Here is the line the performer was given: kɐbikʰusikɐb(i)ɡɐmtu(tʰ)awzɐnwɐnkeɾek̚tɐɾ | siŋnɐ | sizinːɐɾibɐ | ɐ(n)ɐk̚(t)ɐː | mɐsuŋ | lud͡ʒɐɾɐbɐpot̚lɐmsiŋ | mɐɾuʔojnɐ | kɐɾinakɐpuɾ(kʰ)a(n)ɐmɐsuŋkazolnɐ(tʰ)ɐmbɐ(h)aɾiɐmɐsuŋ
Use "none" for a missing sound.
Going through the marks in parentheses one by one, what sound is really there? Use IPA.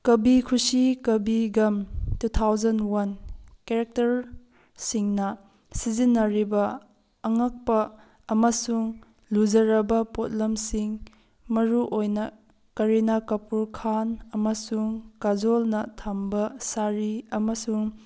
i, tʰ, ŋ, p, kʰ, n, tʰ, s

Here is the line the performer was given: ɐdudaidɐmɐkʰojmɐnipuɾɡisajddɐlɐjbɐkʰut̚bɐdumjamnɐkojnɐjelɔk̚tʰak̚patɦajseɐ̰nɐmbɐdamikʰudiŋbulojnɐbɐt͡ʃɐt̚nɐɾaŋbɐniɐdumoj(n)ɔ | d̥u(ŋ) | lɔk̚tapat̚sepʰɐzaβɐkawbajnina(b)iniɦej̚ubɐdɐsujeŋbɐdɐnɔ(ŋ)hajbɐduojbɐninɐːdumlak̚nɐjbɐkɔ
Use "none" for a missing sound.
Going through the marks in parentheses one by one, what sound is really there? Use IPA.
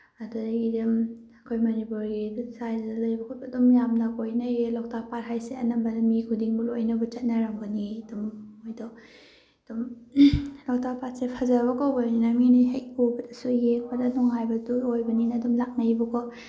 d, m, m, ŋ

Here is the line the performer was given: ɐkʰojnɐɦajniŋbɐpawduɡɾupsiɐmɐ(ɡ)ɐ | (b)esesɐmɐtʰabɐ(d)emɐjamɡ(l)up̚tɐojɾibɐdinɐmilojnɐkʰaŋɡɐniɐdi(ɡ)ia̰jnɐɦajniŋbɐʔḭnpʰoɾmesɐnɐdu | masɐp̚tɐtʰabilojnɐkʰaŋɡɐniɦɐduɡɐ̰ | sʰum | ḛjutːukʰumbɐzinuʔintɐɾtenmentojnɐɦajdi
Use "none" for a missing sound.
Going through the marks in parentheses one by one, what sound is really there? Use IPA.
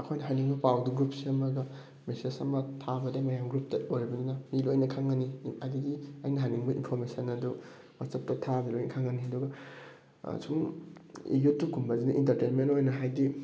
ɡ, m, d, ɾ, ɡ

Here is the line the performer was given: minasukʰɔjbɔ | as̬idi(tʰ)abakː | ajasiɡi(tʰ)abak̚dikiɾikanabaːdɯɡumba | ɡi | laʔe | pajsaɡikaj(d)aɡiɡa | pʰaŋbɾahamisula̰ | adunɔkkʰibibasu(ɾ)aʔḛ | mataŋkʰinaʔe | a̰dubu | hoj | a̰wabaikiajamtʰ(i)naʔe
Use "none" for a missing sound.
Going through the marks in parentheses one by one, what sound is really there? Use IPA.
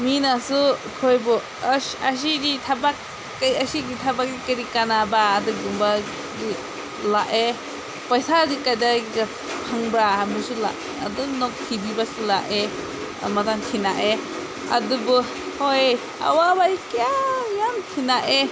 tʰ, tʰ, d, l, i

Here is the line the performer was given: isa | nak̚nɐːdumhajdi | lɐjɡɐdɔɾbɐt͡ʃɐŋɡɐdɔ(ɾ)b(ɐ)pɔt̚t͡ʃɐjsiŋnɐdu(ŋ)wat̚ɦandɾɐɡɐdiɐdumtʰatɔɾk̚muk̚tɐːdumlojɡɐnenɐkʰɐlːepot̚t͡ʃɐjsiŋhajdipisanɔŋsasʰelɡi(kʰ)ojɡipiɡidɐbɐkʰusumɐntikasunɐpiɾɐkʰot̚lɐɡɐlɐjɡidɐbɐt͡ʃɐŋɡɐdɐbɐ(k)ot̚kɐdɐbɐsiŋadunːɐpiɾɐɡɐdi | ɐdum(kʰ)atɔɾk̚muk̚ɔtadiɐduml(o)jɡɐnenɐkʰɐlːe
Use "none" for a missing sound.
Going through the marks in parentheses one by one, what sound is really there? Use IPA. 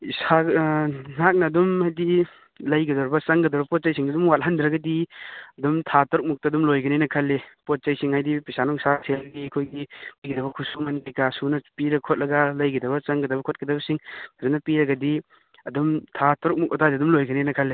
ɾ, ɐ, m, kʰ, kʰ, tʰ, o

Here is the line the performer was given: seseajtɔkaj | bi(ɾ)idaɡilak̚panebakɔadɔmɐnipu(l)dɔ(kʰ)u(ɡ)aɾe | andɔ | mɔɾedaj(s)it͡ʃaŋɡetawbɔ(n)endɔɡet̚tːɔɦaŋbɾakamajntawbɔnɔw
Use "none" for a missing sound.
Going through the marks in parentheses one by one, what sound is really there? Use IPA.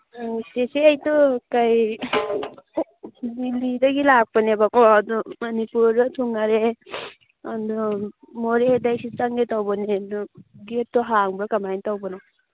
l, ɾ, tʰ, ŋ, s, n

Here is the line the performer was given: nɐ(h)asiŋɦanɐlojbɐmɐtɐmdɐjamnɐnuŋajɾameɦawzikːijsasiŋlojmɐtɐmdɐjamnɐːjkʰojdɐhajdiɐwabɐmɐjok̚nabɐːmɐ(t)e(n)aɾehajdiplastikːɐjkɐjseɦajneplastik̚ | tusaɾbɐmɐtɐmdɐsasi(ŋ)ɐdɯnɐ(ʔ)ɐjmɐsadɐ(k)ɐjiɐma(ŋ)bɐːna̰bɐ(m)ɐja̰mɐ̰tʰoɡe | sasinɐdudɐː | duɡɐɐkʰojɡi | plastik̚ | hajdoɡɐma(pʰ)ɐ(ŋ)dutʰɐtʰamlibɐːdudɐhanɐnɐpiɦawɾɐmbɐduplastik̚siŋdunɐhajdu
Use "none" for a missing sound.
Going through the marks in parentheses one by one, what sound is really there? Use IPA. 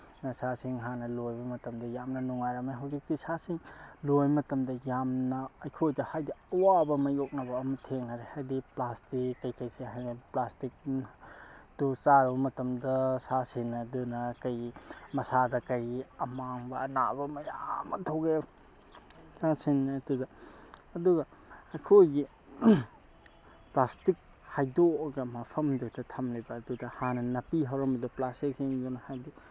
s, tʰ, ŋ, n, k, k, ŋ, m, pʰ, m

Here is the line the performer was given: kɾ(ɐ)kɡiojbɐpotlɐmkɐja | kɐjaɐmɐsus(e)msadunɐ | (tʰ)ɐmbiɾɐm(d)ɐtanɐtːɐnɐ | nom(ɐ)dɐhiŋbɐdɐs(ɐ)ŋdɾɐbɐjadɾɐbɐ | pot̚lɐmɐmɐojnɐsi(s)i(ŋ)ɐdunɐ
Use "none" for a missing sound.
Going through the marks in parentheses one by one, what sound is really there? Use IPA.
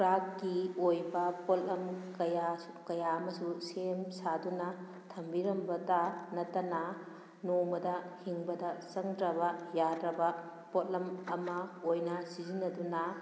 a, e, tʰ, b, ɐ, ɐ, z, n

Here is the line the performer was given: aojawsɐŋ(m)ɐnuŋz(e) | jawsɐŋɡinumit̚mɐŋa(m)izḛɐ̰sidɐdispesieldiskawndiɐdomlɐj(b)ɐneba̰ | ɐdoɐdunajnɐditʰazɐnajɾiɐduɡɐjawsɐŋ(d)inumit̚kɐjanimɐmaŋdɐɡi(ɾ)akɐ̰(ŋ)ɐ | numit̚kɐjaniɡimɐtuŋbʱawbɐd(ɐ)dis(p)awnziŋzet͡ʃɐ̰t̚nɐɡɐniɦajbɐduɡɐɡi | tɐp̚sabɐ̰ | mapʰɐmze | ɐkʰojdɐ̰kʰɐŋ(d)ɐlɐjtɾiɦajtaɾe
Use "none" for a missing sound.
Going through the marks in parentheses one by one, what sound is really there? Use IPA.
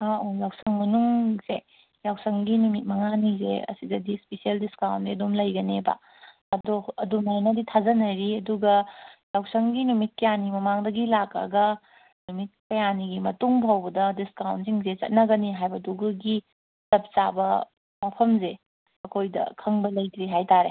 m, e, n, ɡ, ɡ, l, ɡ, ɐ, k, b

